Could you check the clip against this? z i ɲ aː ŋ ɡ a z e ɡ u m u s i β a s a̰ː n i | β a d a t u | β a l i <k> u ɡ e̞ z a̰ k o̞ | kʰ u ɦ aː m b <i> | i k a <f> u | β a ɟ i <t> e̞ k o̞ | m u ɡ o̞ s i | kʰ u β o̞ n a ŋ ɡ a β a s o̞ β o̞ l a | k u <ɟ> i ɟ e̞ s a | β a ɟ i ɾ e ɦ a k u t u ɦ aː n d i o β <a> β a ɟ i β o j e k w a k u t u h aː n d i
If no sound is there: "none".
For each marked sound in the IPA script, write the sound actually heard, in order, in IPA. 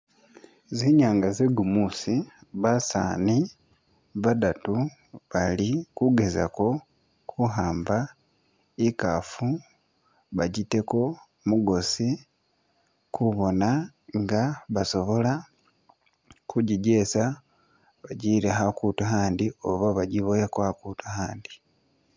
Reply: k, a, f, t, ɟ, a

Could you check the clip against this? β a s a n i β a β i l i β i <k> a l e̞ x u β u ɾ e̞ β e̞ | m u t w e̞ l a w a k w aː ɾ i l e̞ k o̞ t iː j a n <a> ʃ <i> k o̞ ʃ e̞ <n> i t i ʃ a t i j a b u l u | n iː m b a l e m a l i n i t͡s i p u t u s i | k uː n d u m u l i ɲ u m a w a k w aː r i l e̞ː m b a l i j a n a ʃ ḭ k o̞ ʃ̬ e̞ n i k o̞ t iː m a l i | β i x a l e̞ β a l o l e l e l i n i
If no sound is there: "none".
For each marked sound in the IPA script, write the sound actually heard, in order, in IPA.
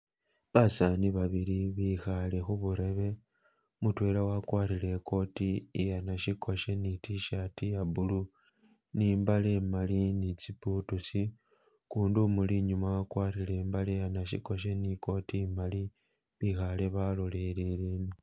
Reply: x, a, i, n

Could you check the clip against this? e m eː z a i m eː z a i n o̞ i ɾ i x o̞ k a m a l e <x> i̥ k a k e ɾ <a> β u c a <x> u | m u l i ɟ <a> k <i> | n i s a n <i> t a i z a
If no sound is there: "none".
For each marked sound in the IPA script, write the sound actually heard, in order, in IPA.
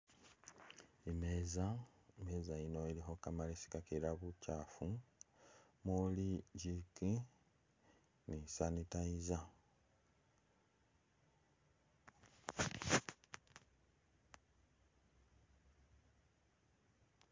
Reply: s, a, f, i, i, i

